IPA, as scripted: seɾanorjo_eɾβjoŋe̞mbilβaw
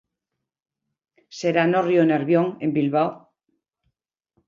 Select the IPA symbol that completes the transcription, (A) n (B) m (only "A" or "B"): A